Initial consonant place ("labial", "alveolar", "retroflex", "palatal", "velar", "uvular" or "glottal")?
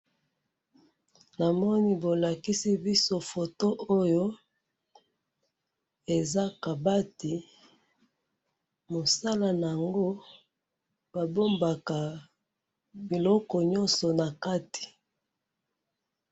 alveolar